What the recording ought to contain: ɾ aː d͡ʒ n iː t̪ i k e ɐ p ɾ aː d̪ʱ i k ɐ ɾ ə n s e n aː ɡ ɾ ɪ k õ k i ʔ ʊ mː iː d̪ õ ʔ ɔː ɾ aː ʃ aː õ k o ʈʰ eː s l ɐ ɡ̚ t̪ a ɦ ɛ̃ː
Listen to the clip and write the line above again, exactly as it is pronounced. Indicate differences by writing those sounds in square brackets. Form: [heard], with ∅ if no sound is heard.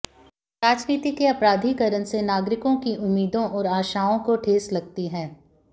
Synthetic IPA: ɾ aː d͡ʒ n iː t̪ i k e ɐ p ɾ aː d̪ʱ i k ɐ ɾ ə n s e n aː ɡ ɾ ɪ k õ k i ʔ ʊ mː iː d̪ õ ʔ ɔː ɾ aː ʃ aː õ k o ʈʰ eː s l ɐ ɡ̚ t̪ [i] ɦ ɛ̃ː